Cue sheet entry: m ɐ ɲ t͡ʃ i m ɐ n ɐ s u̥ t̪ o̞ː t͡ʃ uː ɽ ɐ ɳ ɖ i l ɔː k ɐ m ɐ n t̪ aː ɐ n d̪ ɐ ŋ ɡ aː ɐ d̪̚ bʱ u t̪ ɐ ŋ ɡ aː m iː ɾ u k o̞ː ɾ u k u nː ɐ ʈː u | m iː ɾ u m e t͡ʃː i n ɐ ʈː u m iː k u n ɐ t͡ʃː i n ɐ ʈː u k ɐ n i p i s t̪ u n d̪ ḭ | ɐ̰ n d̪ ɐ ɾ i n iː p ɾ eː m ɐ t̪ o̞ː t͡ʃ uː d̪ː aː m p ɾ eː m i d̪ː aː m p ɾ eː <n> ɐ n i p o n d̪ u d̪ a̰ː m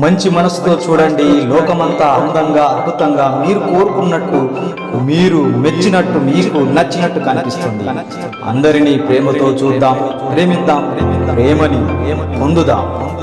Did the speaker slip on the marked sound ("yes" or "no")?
yes